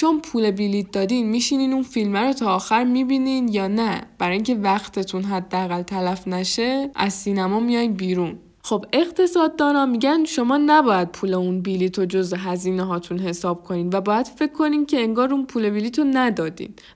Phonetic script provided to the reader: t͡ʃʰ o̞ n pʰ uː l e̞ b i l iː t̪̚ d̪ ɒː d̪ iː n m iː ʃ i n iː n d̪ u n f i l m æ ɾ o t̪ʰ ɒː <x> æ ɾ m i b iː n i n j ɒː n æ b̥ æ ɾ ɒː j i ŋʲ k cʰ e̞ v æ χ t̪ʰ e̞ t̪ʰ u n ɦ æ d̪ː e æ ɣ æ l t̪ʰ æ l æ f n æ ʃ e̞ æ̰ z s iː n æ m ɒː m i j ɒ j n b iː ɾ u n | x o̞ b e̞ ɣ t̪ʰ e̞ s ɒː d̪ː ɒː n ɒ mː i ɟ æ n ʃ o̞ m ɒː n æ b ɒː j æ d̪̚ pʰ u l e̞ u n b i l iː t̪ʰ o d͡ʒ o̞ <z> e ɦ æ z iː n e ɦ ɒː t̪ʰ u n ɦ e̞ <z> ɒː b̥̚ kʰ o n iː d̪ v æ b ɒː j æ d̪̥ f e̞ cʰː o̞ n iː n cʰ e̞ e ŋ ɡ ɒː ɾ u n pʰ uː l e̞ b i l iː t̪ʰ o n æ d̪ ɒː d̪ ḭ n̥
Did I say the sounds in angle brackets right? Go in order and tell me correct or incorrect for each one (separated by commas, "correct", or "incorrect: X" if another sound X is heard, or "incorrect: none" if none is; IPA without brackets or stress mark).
correct, correct, incorrect: s